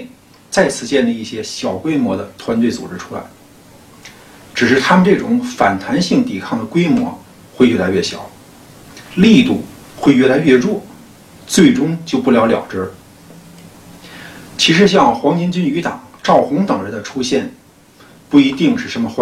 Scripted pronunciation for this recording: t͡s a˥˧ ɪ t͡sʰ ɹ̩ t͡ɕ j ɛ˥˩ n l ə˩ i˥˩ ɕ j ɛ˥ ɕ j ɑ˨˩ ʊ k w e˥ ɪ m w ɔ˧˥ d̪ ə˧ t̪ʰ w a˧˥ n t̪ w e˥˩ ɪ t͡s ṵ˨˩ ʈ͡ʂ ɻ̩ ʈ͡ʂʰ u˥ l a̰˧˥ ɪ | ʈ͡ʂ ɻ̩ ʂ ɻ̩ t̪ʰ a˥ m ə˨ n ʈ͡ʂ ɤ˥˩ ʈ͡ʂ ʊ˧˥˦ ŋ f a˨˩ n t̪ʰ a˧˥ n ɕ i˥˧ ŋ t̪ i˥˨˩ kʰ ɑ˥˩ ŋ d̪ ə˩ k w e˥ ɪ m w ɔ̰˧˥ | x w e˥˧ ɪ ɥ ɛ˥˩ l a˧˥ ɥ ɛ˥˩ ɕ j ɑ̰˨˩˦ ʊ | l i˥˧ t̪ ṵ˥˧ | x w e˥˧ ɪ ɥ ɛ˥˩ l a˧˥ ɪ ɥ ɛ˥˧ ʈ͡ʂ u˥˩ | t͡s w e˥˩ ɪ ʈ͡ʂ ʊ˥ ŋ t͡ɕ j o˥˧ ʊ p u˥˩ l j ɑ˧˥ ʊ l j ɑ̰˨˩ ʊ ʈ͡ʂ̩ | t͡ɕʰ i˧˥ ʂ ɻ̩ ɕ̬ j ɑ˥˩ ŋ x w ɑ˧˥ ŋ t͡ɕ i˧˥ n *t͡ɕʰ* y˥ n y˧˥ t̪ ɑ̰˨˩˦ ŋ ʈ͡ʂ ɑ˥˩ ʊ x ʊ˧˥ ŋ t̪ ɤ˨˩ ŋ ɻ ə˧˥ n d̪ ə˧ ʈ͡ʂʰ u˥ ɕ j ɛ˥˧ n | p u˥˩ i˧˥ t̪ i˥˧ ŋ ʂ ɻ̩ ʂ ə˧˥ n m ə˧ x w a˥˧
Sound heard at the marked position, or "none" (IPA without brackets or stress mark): t͡ɕ